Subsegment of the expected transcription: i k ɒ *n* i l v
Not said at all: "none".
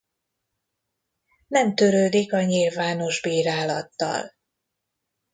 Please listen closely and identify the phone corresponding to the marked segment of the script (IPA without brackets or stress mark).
ɲ